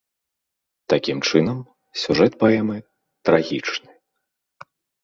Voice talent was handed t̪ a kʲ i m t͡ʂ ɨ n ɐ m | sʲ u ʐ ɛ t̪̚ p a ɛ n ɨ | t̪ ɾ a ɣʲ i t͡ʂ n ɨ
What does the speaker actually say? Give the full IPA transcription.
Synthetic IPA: t̪ a kʲ i m t͡ʂ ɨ n ɐ m | sʲ u ʐ ɛ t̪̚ p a ɛ m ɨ | t̪ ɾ a ɣʲ i t͡ʂ n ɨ